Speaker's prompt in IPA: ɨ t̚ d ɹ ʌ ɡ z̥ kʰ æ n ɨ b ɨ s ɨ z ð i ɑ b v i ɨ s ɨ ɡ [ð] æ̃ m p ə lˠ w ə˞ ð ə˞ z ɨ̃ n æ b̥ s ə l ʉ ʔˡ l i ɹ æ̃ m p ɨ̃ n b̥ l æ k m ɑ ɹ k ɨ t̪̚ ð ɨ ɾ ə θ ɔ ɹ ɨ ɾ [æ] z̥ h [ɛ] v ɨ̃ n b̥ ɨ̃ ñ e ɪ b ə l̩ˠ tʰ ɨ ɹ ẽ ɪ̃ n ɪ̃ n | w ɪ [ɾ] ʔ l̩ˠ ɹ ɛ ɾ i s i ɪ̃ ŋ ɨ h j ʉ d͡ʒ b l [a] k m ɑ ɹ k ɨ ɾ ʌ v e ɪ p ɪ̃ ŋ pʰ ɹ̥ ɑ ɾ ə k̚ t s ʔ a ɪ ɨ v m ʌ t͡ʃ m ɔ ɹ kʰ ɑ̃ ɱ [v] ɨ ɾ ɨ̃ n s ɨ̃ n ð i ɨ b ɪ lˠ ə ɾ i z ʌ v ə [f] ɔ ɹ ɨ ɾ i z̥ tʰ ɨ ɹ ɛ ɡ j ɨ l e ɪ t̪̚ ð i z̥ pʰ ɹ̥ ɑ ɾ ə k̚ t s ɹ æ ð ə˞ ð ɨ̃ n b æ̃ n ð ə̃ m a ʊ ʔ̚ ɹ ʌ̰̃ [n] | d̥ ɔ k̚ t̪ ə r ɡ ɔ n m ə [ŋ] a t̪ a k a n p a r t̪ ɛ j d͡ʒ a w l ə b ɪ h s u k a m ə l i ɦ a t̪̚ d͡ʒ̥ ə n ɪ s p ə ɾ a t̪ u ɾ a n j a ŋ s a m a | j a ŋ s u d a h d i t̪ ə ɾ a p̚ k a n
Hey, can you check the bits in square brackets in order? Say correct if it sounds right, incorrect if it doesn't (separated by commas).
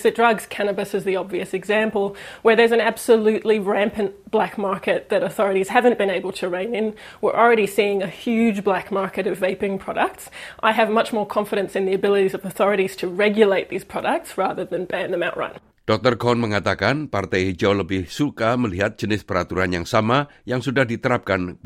incorrect, incorrect, incorrect, incorrect, incorrect, incorrect, incorrect, correct, correct